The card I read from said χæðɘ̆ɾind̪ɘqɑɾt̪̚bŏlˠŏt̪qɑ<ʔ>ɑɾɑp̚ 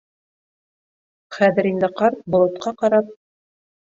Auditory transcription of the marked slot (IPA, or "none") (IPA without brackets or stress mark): q